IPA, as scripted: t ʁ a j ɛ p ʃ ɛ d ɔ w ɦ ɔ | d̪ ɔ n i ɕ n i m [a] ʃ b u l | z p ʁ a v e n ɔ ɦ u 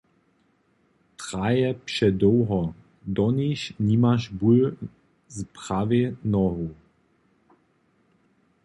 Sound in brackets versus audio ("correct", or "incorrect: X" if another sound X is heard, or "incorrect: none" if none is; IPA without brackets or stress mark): correct